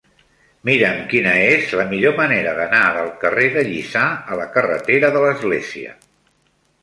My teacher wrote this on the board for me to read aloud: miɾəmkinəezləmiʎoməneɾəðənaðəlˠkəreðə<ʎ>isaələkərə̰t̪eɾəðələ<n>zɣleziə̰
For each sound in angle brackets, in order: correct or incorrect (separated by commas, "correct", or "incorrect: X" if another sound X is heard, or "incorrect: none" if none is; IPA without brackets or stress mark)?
correct, incorrect: none